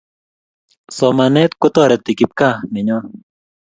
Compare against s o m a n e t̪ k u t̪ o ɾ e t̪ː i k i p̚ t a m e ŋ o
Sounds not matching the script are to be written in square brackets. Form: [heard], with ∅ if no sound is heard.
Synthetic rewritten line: s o m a n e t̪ k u t̪ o ɾ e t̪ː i k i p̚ [k] a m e [ɲ] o